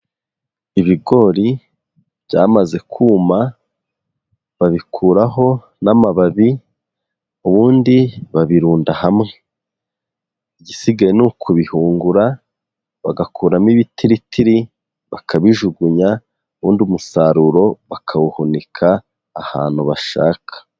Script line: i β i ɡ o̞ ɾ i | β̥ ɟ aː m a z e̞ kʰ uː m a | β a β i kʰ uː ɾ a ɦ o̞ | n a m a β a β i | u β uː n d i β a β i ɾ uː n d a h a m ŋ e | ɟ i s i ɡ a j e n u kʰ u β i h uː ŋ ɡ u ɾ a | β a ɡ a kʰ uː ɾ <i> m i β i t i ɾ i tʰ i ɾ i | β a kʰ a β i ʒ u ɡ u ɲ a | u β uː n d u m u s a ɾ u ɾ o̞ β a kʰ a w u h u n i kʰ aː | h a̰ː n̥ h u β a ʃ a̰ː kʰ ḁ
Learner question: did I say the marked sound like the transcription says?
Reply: no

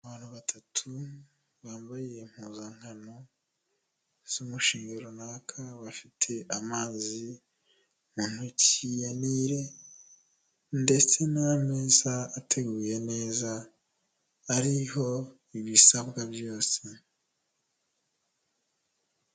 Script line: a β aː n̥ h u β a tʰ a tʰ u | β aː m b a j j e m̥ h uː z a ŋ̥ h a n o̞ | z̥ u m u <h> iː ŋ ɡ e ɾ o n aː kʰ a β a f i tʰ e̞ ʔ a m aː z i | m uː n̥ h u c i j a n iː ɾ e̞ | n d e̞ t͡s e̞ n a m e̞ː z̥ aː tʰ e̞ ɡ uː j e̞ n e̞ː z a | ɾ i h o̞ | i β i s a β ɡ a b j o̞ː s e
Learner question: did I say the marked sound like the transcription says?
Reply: no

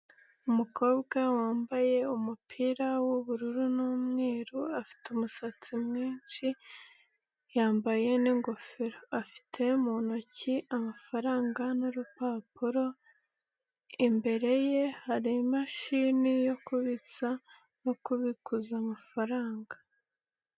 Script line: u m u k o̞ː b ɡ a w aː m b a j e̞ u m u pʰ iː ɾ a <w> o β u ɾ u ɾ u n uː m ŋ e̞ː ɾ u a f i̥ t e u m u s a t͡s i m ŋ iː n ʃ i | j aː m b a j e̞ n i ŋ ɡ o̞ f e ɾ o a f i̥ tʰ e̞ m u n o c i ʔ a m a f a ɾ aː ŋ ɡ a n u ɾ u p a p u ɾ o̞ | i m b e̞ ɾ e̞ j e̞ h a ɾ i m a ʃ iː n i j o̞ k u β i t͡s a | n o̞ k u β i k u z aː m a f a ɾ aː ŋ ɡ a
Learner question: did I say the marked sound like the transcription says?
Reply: yes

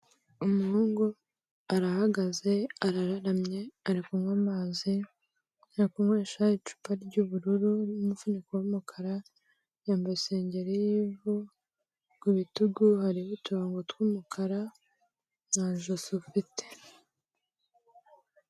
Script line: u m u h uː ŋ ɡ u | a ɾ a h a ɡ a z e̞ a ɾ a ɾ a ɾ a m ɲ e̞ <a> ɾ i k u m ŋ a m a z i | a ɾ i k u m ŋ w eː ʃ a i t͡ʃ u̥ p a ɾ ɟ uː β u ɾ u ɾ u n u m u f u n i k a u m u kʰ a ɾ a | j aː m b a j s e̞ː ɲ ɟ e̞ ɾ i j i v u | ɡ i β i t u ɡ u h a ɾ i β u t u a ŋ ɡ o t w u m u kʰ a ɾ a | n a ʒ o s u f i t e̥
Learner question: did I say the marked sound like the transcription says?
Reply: yes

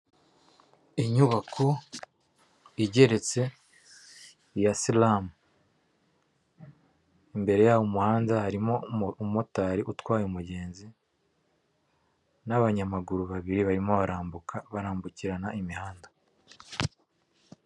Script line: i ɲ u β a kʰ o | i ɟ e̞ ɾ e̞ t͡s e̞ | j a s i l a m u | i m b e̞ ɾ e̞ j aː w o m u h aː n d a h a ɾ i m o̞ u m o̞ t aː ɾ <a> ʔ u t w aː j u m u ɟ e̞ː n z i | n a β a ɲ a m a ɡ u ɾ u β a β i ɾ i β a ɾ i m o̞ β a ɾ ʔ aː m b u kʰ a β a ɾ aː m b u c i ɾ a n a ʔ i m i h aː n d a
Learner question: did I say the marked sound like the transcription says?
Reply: no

